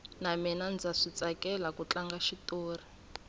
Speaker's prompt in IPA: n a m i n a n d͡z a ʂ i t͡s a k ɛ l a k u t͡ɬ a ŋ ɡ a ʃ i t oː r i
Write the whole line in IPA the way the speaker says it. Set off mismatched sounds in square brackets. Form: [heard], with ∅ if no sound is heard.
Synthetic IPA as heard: n a m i n a n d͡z a ʂ i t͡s a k ɛ l a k u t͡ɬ a ŋ ɡ a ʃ i t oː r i